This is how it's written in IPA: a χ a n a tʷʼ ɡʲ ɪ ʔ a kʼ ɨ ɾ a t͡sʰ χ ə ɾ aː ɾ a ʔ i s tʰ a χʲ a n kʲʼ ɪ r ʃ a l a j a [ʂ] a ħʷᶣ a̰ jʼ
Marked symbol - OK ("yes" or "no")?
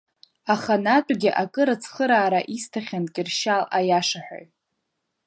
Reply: yes